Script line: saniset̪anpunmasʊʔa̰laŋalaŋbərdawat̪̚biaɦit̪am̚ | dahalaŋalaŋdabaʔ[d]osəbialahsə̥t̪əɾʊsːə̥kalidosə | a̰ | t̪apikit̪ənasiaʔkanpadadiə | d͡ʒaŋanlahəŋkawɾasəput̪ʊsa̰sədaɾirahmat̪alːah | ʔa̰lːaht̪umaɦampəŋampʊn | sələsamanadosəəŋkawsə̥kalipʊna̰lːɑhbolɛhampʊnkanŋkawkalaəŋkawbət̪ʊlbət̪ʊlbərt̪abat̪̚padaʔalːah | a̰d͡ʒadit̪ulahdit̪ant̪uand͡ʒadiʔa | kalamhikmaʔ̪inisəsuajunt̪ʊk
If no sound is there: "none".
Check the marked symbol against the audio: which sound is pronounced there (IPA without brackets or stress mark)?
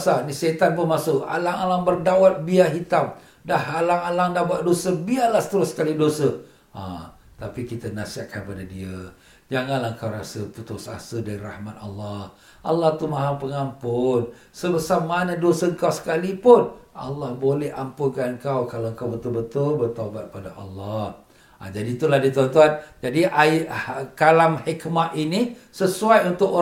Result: d